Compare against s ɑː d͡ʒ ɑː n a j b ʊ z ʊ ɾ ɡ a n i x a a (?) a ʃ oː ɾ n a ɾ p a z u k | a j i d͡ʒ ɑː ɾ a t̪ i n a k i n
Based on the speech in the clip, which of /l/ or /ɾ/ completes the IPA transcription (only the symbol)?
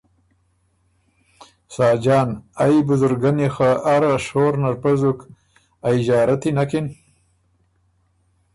ɾ